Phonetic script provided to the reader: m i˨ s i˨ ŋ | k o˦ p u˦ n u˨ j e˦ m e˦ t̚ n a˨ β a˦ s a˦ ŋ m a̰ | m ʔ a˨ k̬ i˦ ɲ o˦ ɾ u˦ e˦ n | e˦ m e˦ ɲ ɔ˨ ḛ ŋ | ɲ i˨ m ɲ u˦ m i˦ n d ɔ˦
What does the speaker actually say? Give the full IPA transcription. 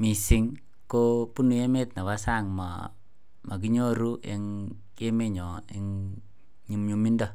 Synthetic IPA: m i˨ s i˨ ŋ | k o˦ p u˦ n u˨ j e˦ m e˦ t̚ n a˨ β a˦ s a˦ ŋ m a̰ | m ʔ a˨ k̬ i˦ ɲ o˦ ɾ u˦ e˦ ŋ | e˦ m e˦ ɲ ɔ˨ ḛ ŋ | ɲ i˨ m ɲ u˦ m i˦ n d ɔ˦